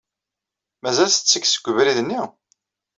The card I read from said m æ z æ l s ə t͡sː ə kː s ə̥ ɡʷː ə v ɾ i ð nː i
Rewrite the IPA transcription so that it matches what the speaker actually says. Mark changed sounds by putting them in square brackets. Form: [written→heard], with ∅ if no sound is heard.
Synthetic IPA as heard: m æ z æ l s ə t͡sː ə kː s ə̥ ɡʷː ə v ɾ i ð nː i